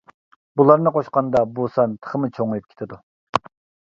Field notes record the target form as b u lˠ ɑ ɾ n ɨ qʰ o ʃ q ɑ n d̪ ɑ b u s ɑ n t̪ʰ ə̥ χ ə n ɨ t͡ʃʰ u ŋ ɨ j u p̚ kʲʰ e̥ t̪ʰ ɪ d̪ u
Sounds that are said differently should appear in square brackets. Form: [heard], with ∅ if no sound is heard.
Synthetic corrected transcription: b u lˠ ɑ ɾ n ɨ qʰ o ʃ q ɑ n d̪ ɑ b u s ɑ n t̪ʰ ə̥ χ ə [m] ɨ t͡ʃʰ [o] ŋ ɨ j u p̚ kʲʰ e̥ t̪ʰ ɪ d̪ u